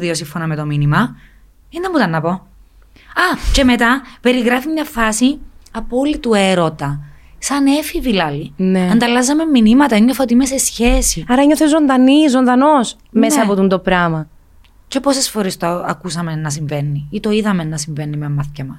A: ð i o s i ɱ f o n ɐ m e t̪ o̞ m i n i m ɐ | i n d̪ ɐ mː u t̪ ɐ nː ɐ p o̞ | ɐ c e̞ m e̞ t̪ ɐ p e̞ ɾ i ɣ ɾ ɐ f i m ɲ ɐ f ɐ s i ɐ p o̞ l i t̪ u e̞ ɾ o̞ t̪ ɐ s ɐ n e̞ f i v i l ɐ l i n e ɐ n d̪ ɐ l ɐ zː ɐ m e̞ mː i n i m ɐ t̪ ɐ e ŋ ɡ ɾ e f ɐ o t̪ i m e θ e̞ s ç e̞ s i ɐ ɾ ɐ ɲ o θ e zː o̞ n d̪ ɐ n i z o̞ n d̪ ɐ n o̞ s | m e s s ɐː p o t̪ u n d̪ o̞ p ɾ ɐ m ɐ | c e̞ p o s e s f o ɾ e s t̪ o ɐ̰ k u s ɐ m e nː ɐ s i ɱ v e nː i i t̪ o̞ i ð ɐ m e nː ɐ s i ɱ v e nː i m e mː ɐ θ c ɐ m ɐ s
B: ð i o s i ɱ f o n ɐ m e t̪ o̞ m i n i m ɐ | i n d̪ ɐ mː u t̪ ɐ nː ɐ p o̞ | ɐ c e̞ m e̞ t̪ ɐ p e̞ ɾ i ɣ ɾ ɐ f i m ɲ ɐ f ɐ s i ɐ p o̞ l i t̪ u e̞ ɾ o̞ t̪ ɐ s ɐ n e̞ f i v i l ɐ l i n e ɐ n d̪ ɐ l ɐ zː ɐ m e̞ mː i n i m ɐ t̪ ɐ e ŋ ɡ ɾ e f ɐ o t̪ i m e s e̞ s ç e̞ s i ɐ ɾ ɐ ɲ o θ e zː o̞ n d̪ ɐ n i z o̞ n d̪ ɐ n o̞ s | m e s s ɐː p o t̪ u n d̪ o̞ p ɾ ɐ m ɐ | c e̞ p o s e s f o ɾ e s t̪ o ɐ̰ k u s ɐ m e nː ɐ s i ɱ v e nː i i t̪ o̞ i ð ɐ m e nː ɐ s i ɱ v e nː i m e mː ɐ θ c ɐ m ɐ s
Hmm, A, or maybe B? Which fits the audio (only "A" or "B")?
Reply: B